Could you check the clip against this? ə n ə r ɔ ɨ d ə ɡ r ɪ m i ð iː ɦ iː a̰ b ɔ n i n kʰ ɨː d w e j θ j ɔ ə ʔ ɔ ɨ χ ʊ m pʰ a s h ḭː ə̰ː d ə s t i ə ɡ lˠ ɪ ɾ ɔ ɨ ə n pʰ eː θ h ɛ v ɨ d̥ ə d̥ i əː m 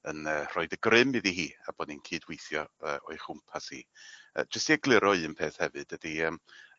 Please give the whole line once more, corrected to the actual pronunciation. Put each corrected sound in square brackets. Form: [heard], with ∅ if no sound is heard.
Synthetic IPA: ə n ə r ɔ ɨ d ə ɡ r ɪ m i ð [i] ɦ iː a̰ b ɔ n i n kʰ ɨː d w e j θ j ɔ ə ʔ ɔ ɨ χ ʊ m pʰ a s h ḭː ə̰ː [d͡ʒ] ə s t i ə ɡ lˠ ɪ ɾ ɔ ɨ ə n pʰ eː θ h ɛ v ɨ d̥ ə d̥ i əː m